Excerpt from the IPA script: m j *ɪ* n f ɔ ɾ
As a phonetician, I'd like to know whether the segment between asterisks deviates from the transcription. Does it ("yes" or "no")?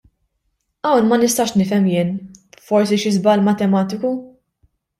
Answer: yes